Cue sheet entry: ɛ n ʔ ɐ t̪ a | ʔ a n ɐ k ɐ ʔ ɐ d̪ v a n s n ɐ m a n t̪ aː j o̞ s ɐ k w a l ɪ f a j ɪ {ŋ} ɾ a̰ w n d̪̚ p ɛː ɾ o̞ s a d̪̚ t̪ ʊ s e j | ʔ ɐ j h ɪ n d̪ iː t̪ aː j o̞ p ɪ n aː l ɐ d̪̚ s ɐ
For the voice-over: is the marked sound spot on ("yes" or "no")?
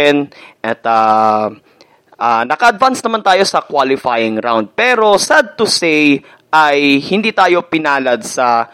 yes